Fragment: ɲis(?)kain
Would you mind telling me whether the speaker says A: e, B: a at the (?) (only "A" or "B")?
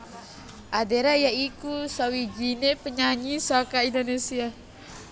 B